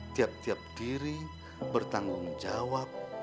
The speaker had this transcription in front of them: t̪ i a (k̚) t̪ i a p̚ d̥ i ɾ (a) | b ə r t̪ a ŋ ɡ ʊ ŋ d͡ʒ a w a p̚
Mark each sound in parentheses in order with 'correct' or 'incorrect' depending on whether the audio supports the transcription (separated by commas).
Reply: incorrect, incorrect